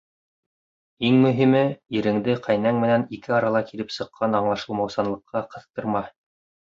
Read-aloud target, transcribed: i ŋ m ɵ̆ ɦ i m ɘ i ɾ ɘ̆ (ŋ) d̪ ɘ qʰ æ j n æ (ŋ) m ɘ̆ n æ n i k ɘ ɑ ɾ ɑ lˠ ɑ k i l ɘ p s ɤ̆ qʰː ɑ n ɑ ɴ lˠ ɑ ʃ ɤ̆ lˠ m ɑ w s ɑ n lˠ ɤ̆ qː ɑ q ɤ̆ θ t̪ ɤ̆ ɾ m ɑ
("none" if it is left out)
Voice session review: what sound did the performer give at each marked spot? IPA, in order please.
ŋ, ŋ

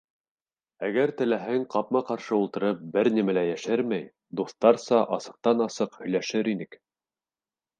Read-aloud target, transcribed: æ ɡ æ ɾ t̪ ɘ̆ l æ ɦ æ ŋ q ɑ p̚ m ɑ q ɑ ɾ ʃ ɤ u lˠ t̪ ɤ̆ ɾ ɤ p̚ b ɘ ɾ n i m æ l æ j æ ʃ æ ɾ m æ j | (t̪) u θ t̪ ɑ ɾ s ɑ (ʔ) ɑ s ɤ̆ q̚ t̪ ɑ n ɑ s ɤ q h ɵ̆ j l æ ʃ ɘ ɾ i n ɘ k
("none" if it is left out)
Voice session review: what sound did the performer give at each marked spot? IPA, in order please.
d̪, ʔ

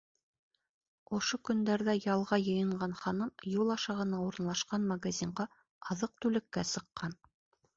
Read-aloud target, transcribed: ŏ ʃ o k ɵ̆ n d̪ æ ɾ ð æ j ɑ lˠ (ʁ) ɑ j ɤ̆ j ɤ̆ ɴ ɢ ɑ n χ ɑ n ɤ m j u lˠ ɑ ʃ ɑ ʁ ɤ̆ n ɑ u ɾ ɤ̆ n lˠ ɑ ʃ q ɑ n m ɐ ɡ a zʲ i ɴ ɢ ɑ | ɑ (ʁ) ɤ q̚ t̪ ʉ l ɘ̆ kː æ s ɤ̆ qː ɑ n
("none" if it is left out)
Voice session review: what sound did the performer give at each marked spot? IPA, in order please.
ʁ, ð

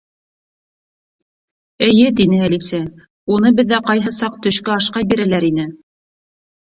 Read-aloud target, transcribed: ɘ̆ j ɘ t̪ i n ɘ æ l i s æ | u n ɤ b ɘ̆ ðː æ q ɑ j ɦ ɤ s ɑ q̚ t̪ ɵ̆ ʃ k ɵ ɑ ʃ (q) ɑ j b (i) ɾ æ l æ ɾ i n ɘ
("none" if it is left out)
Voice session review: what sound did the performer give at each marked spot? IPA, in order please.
q, i

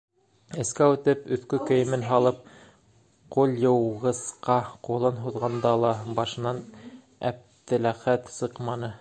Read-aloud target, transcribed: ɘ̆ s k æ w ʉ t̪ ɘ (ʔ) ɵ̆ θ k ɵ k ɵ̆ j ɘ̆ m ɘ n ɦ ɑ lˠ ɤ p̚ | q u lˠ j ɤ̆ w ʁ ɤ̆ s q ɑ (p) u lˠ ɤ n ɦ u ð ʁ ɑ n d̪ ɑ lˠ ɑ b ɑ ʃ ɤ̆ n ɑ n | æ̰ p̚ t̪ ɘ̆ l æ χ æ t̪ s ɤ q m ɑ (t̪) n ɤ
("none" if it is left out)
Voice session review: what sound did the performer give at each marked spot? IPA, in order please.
p, q, none

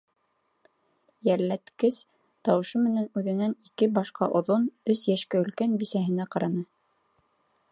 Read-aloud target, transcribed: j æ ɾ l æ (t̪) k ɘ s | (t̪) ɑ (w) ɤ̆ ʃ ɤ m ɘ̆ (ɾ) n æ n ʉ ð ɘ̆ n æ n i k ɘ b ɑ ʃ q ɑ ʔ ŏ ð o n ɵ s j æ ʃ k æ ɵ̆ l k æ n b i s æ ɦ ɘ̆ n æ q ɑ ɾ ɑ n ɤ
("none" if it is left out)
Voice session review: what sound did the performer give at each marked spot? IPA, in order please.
t̪, t̪, w, none

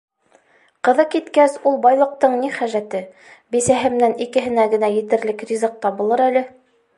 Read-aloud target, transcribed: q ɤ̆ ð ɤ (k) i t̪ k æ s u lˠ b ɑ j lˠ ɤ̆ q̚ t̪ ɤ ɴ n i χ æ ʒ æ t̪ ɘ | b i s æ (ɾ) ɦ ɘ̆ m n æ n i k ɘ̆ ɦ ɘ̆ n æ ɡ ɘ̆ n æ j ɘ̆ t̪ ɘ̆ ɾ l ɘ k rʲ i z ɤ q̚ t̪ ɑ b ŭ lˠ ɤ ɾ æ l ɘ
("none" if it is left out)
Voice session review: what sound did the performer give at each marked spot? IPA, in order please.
k, none

